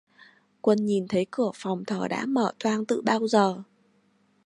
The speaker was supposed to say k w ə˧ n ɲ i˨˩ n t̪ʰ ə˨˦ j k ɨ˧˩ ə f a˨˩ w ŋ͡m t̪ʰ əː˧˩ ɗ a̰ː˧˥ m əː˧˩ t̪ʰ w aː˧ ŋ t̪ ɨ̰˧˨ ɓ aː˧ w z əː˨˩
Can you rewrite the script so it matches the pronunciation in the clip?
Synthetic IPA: k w ə˧ n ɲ i˨˩ n t̪ʰ ə˨˦ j k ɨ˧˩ ə f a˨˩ w ŋ͡m t̪ʰ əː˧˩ ɗ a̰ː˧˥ m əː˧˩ t̪ʰ w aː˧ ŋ t̪ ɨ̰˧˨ ɓ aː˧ w z əː˨˩

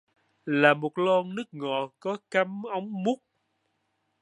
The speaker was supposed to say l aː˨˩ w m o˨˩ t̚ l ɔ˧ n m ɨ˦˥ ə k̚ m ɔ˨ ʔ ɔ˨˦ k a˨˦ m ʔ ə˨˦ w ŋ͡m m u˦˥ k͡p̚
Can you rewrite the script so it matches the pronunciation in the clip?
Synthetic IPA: l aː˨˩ m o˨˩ t̚ l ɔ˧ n n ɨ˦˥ ə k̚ ŋ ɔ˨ k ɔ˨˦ k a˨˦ m ʔ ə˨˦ w ŋ͡m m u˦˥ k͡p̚

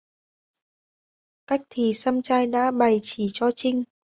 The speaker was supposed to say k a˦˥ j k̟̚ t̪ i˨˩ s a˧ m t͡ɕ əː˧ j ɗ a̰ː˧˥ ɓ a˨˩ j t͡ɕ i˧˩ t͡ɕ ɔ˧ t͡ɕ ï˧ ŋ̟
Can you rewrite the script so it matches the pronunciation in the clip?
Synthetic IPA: k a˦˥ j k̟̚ t̪ʰ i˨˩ s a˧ m t͡ɕ aː˧ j ɗ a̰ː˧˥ ɓ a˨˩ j t͡ɕ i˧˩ t͡ɕ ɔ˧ t͡ɕ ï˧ ŋ̟

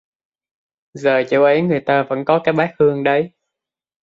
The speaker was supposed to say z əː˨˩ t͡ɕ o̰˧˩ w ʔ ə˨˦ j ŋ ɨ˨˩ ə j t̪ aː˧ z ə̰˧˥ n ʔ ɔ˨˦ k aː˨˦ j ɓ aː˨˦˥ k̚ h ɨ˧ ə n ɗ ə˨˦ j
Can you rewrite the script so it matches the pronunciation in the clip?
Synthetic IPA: z əː˨˩ t͡ɕ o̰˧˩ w ʔ ə˨˦ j ŋ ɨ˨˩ ə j t̪ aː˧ v ə̰˧˥ n k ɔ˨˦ k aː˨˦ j ɓ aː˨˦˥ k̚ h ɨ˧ ə ŋ ɗ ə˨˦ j

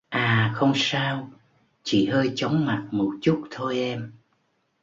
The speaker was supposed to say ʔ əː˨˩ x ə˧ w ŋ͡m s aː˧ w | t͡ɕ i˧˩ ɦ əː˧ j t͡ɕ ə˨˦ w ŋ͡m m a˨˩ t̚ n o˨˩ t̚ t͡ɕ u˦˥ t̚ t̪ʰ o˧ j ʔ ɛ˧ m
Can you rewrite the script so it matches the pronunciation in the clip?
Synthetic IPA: ʔ aː˨˩ x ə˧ w ŋ͡m s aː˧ w | t͡ɕ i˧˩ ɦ əː˧ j t͡ɕ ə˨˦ w ŋ͡m m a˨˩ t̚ m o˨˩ t̚ t͡ɕ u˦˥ t̚ t̪ʰ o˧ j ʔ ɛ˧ m

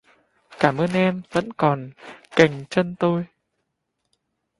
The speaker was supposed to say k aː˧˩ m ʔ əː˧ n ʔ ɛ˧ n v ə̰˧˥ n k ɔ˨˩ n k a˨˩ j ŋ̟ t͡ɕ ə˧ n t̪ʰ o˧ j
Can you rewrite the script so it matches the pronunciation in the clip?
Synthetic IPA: k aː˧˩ m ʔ əː˧ n ʔ ɛ˧ m v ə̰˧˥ n k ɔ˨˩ n k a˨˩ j ŋ̟ t͡ɕ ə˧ n t̪ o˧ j

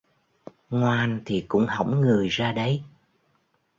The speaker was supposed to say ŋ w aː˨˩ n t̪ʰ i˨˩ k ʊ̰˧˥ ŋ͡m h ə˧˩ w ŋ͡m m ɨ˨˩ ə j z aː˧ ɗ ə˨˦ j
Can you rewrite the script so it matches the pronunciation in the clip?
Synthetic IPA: ŋ w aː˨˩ n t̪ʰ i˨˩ k ʊ̰˧˥ ŋ͡m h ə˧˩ w ŋ͡m ŋ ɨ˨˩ ə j z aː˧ ɗ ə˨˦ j

